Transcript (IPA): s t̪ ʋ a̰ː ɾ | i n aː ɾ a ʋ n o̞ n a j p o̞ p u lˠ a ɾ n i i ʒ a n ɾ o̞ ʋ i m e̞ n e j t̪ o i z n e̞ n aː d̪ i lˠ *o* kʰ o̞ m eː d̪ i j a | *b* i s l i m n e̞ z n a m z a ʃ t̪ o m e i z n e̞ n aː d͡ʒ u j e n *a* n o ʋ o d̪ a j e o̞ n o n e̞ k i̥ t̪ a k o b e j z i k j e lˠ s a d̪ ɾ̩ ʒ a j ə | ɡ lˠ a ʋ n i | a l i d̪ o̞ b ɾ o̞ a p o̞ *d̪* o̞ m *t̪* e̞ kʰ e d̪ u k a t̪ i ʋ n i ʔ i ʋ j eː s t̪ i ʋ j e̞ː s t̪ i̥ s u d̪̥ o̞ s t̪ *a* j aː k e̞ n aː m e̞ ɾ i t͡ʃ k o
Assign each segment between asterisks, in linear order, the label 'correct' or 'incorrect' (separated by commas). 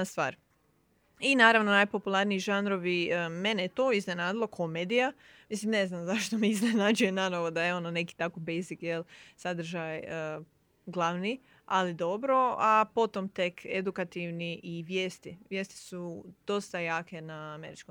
correct, incorrect, correct, incorrect, correct, correct